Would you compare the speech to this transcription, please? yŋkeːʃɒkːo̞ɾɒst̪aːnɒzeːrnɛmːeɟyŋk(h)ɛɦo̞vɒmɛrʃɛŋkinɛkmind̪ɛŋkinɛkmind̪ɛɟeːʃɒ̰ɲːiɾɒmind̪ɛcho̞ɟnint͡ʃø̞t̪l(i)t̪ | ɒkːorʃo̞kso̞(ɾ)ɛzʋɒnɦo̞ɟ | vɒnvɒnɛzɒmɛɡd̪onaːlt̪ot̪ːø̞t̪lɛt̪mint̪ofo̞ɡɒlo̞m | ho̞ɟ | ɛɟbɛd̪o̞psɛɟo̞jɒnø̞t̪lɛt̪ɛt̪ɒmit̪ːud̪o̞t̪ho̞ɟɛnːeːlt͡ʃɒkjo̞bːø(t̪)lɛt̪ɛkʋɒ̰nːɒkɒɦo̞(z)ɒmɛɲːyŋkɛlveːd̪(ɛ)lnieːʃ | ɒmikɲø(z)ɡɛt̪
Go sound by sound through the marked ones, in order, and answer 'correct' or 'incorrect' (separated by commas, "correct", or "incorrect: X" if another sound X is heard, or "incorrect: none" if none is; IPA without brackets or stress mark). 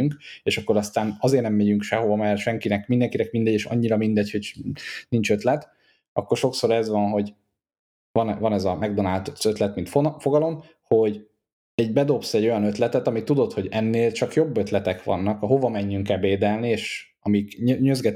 incorrect: ʃ, incorrect: ɛ, correct, correct, incorrect: v, correct, correct